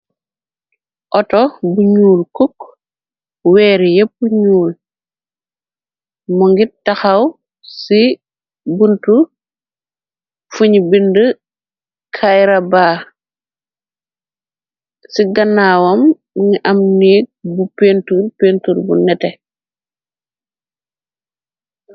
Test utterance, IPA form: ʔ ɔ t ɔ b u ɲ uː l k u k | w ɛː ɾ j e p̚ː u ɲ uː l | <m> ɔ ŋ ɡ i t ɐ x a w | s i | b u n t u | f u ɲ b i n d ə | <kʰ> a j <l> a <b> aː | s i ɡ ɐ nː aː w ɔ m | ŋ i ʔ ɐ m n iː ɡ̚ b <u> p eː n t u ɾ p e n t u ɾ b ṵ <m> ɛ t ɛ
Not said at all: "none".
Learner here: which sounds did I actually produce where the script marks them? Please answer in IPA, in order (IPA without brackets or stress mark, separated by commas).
m, kʰ, ɾ, b, u, n